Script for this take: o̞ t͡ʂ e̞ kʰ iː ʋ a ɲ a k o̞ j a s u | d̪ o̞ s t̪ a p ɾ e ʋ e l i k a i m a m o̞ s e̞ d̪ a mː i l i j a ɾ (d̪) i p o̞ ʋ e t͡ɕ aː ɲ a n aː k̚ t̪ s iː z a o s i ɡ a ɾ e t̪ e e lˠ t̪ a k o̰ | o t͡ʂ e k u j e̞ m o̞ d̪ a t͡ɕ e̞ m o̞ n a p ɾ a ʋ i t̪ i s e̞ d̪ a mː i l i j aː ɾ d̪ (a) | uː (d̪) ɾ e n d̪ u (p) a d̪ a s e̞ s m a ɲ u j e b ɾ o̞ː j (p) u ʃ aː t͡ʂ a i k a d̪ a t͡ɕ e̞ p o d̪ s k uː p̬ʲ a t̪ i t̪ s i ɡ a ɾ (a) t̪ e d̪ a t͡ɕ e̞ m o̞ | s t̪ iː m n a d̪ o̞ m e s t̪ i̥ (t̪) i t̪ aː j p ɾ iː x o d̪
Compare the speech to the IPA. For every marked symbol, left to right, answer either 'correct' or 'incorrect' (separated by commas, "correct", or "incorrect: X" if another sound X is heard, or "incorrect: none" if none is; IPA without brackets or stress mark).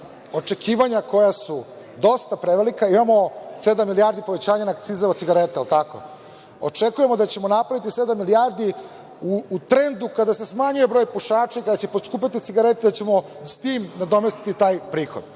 correct, incorrect: i, incorrect: t̪, incorrect: k, correct, incorrect: e, correct